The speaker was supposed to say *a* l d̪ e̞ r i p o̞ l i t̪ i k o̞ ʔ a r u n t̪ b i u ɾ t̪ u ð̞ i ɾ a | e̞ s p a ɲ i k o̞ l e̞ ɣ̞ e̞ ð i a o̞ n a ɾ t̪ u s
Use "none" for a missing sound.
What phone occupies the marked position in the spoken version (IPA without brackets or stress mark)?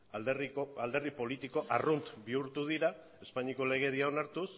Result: a